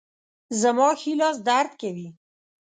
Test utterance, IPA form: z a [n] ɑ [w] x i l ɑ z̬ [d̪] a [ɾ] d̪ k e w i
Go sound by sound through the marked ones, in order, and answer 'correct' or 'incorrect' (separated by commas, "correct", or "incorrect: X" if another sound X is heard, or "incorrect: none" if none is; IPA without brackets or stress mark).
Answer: incorrect: m, incorrect: none, correct, correct